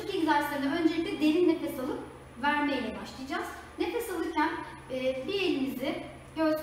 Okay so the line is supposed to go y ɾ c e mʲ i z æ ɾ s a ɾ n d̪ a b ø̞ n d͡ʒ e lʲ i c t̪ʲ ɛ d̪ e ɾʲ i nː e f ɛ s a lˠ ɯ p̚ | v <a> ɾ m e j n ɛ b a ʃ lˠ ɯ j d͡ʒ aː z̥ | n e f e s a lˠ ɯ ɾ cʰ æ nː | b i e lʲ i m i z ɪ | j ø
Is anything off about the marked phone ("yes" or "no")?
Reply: yes